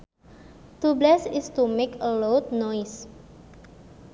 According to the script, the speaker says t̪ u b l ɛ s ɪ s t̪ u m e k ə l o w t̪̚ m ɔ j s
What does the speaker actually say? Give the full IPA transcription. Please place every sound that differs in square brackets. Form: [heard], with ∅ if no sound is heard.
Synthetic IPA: t̪ u b l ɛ s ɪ s t̪ u m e k ə l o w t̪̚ [n] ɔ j s

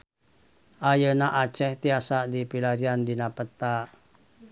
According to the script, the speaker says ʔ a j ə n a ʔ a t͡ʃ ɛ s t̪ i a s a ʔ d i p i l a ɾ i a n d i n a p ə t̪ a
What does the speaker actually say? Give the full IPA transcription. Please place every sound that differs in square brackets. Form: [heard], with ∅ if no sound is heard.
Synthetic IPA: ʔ a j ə n a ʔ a t͡ʃ ɛ [h] t̪ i a s a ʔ d i p i l a ɾ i a n d i n a p ə t̪ a

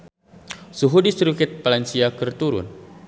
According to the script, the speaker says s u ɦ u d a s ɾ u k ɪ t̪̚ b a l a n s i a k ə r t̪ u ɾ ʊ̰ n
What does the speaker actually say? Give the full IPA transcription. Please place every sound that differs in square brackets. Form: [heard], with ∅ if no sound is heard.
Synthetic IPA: s u ɦ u d [i] s ɾ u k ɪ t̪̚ [p] a l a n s i a k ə r t̪ u ɾ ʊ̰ n

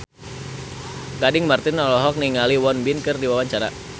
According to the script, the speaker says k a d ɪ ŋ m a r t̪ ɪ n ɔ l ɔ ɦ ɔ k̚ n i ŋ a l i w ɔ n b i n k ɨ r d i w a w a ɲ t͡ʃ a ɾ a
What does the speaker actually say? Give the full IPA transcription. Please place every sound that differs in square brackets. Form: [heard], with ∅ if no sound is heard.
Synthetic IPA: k a d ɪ ŋ m a r t̪ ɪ n ɔ l ɔ ɦ ɔ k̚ n i ŋ a l i w ɔ n b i n k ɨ r d i w a w a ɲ t͡ʃ a ɾ a

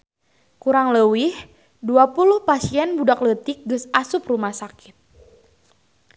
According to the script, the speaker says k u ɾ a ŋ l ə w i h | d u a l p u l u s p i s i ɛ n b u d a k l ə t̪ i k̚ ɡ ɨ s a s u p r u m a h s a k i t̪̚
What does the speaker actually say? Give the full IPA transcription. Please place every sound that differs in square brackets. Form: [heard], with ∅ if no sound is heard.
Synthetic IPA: k u ɾ a ŋ l ə w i h | d u a [∅] p u l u [h] p [a] s i ɛ n b u d a k l ə t̪ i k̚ ɡ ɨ s a s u p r u m a h s a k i t̪̚

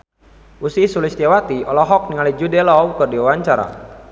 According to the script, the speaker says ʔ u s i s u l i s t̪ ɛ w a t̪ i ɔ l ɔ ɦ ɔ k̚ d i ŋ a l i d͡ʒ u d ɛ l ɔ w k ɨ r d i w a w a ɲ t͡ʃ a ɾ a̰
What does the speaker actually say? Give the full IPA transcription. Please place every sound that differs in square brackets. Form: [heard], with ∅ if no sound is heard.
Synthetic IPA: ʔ u s i s u l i s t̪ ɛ w a t̪ i ɔ l ɔ ɦ ɔ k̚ [n] i ŋ a l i d͡ʒ u d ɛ l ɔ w k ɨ r d i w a w a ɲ t͡ʃ a ɾ a̰

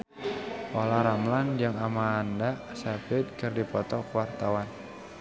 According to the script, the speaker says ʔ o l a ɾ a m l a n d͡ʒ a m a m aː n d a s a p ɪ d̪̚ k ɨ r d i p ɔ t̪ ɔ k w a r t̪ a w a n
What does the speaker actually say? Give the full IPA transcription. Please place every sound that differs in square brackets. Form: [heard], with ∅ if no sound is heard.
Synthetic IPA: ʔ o l a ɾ a m l a n d͡ʒ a [ŋ] a m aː n d a s a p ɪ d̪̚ k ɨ r d i p ɔ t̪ ɔ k w a r t̪ a w a n

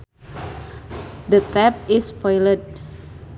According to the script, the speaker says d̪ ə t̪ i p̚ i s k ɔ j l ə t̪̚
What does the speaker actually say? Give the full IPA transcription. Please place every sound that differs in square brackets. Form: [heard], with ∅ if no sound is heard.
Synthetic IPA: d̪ ə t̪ [ɛ] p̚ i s [p] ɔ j l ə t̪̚

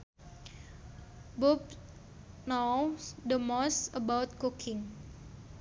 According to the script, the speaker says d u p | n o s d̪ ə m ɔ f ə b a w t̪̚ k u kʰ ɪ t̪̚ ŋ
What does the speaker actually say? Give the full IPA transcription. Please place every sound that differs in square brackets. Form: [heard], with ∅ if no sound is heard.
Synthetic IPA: [b] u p | n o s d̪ ə m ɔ [s] ə b a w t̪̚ k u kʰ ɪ [∅] ŋ

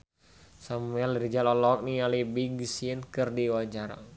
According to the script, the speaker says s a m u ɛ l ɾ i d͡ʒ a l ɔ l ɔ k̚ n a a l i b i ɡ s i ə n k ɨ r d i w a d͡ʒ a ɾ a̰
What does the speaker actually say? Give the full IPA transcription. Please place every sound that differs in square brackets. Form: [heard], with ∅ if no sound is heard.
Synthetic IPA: s a m u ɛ l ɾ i d͡ʒ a l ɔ l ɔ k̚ n [i] a l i b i ɡ s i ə n k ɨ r d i w a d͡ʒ a ɾ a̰

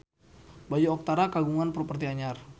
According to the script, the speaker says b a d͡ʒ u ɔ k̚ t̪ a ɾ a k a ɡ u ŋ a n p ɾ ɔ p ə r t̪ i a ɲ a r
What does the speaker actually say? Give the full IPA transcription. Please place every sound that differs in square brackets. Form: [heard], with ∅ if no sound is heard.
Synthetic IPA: b a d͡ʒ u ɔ k̚ t̪ a ɾ a k a ɡ u ŋ a n p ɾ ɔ p ə r t̪ i a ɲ a r

